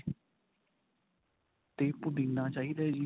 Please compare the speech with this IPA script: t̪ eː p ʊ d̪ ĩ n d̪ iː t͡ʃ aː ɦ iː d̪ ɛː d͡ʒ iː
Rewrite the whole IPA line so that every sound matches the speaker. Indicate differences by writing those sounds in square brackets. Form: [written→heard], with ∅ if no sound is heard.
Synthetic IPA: t̪ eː p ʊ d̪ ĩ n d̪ [iː→aː] t͡ʃ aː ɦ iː d̪ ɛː d͡ʒ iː